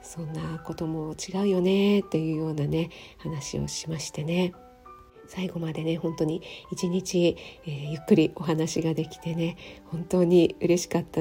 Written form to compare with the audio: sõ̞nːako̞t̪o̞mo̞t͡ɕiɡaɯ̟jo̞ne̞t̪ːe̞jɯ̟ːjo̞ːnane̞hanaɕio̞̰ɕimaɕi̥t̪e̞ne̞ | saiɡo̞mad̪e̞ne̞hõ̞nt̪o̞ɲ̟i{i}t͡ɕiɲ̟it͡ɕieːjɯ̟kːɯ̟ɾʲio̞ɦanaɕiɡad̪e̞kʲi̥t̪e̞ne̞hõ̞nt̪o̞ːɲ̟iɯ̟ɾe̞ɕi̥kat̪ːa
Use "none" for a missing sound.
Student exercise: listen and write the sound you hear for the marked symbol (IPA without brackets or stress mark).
i